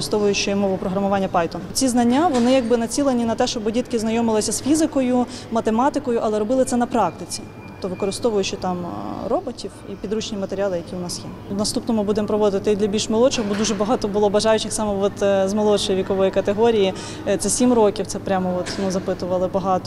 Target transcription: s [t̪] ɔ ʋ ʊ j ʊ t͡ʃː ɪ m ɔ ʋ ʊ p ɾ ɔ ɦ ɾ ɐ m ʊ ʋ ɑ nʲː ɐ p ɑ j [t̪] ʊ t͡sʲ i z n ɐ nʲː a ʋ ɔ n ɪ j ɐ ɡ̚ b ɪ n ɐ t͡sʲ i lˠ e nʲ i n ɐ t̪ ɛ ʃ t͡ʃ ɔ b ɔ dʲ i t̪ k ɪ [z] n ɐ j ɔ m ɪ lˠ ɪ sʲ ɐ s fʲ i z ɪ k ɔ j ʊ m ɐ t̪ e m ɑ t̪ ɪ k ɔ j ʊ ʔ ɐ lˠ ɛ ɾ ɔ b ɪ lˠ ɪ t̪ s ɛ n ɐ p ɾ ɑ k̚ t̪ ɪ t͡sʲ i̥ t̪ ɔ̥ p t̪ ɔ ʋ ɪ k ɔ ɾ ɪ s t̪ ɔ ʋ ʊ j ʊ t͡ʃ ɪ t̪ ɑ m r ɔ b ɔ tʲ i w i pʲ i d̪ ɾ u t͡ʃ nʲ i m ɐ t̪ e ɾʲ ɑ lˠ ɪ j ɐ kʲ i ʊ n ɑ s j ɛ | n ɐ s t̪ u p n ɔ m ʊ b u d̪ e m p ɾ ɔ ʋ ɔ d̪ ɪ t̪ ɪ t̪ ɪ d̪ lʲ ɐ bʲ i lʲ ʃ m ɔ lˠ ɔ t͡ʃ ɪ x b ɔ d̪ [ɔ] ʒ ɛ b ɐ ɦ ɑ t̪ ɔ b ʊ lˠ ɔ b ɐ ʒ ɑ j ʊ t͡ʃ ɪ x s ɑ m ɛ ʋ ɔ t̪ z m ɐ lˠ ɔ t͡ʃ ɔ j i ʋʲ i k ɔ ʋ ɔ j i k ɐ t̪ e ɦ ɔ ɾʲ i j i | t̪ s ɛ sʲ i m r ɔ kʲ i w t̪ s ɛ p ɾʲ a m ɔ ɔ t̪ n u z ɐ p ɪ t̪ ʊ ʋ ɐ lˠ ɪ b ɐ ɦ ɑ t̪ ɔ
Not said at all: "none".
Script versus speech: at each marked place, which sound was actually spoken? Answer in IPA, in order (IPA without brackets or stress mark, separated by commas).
t̪, t̪, z, u